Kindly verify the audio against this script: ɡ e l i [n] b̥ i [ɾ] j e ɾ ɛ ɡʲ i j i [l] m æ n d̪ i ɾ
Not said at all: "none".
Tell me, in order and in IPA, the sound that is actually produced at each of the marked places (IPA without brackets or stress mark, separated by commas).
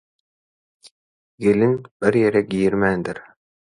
n, ɾ, ɾ